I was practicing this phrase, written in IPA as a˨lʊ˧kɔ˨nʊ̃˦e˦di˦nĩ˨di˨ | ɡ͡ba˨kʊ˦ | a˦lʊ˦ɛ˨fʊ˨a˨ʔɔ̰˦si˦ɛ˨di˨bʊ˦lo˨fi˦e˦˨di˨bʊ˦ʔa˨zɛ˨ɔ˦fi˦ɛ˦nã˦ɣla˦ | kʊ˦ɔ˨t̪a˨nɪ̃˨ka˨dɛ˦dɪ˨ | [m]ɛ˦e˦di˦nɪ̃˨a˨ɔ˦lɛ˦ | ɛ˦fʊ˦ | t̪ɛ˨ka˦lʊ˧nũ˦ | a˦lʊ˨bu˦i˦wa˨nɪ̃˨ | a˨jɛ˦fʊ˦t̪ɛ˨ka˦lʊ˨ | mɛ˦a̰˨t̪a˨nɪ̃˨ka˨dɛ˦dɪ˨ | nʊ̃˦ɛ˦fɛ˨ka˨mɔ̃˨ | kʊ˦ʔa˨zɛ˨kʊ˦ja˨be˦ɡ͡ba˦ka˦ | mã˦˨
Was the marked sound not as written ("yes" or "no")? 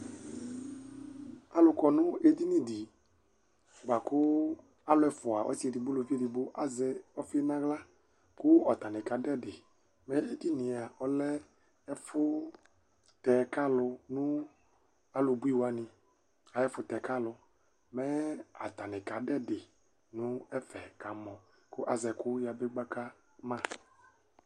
no